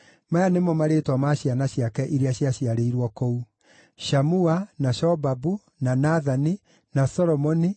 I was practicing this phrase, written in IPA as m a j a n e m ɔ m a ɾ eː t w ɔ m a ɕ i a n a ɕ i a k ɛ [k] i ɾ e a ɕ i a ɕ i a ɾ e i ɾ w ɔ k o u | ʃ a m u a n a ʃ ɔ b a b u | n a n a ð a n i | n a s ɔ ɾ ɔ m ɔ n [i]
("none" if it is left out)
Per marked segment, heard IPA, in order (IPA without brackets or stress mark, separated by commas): ʔ, i